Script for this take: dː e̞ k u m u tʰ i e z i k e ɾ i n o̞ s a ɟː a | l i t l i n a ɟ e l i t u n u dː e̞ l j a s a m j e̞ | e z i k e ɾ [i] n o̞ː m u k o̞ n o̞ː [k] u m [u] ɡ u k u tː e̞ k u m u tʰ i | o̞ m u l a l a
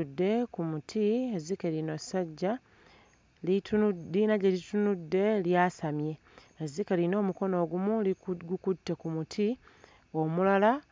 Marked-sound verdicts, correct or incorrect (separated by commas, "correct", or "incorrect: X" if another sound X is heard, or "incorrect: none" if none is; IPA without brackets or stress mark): correct, incorrect: ɡ, correct